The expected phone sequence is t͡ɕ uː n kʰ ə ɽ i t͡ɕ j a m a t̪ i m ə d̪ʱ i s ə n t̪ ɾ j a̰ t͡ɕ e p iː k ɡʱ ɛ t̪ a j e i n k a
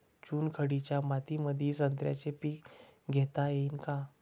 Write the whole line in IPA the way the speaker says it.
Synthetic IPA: t͡ɕ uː n kʰ ə ɽ i t͡ɕ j a m a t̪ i m ə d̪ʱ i s ə n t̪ ɾ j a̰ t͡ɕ e p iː k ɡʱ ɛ t̪ a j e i n k a